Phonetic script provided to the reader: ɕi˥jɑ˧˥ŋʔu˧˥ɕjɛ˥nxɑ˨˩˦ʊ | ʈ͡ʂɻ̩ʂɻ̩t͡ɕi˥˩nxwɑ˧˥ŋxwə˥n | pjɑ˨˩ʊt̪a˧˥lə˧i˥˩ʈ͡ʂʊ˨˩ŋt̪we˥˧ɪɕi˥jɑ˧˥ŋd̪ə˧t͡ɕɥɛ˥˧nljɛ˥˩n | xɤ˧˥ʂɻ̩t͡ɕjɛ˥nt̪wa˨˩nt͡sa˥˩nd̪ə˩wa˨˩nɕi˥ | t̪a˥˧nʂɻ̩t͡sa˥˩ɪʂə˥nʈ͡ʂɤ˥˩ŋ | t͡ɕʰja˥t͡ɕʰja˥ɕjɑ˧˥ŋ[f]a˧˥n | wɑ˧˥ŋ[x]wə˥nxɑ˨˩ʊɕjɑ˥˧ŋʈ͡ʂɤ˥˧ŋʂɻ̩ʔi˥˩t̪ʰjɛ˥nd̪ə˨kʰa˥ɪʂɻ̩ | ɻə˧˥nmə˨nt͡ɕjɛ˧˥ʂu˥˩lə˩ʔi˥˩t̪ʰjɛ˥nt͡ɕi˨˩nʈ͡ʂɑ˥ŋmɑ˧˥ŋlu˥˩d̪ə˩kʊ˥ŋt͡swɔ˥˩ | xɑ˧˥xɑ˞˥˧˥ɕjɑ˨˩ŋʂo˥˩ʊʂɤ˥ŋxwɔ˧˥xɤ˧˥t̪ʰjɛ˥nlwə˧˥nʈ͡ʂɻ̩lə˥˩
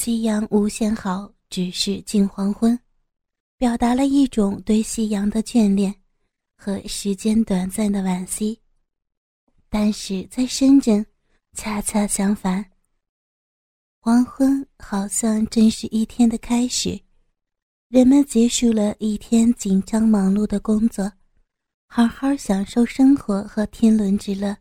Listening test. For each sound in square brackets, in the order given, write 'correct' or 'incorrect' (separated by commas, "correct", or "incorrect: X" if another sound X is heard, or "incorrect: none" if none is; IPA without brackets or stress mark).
correct, correct